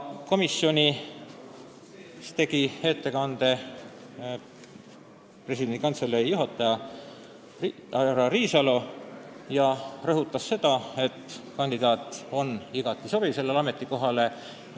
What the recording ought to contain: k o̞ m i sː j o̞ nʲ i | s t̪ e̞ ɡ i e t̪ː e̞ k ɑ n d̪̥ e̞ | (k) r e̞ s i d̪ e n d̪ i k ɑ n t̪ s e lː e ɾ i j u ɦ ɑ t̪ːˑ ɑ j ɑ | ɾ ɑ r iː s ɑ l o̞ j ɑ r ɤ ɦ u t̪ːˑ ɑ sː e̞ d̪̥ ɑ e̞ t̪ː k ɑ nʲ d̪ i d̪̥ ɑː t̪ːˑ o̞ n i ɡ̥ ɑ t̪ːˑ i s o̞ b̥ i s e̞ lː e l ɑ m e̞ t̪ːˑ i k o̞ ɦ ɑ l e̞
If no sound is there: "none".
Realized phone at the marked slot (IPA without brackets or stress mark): p